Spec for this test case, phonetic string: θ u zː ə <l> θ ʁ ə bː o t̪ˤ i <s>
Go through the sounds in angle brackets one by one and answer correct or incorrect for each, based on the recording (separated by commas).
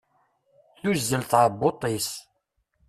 correct, correct